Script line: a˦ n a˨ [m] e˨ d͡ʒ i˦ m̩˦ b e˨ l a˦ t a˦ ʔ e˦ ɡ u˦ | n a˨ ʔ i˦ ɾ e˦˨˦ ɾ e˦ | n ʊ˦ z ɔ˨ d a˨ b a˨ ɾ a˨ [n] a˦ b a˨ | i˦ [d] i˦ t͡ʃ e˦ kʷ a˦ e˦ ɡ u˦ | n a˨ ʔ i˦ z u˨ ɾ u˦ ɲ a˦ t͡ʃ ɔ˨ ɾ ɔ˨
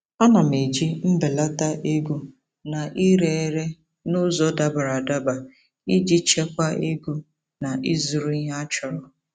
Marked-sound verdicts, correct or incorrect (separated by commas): correct, incorrect, incorrect